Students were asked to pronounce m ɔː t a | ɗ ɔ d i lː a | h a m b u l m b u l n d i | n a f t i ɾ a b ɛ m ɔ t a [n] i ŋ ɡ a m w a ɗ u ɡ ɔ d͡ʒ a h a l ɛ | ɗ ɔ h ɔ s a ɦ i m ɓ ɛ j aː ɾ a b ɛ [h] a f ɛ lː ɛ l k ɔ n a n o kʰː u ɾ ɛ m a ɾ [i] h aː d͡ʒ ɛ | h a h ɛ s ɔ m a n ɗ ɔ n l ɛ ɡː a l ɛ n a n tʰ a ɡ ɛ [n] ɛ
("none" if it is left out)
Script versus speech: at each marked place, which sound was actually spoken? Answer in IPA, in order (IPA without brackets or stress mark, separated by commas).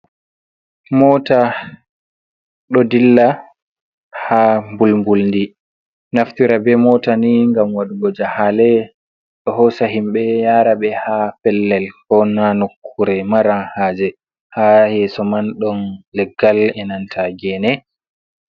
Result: n, h, a, n